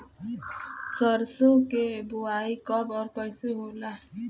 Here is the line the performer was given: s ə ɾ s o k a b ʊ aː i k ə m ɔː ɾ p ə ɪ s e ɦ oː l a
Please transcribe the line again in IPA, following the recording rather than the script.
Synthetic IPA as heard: s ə ɾ s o k e b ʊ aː i k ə b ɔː ɾ k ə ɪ s e ɦ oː l a